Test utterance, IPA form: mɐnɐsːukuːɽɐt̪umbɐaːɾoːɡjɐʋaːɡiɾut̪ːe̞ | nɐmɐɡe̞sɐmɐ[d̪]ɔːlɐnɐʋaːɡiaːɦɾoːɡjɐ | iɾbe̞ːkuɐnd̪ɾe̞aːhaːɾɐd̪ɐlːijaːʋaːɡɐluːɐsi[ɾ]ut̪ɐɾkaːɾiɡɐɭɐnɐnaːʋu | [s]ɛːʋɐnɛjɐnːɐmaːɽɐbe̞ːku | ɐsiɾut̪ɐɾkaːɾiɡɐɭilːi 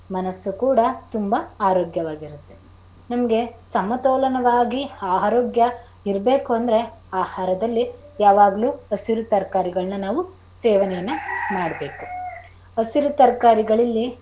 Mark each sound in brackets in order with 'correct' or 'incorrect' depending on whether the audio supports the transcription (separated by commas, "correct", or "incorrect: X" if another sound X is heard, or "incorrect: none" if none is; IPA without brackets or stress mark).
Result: incorrect: t̪, correct, correct